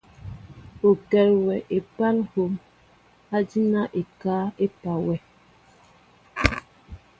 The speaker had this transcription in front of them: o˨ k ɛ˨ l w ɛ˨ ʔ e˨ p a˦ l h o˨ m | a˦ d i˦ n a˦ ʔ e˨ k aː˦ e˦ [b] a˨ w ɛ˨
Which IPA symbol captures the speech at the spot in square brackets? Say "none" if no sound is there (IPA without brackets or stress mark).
p